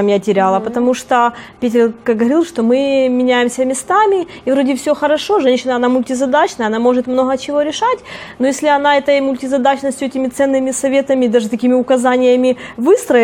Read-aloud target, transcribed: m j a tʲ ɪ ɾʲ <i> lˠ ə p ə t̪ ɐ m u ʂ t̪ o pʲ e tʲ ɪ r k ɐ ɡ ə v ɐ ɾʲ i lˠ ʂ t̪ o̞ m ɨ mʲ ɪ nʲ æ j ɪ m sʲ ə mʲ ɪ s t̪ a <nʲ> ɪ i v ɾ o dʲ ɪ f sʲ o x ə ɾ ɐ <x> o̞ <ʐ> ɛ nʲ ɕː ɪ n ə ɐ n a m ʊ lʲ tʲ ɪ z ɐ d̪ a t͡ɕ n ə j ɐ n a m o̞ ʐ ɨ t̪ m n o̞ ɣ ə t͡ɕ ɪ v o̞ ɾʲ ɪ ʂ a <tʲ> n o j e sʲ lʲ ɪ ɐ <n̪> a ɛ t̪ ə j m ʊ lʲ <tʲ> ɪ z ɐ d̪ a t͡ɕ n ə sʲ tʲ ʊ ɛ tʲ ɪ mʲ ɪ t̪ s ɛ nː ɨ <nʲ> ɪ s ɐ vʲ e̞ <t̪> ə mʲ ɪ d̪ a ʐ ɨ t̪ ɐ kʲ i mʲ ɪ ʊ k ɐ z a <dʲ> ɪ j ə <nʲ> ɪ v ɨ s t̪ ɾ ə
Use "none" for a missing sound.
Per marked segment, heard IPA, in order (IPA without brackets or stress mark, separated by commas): a, mʲ, ʂ, ʐ, tʲ, n̪, tʲ, mʲ, t̪, nʲ, mʲ